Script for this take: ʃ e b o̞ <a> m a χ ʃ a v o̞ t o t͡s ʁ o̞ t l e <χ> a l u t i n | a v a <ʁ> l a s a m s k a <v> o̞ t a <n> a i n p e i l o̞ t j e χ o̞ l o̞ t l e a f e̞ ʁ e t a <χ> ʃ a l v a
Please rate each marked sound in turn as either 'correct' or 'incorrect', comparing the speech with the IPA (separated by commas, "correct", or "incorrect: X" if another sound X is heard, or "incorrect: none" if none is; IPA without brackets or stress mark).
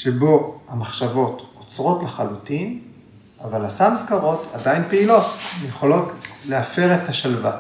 correct, correct, incorrect: none, incorrect: ʁ, incorrect: d, incorrect: none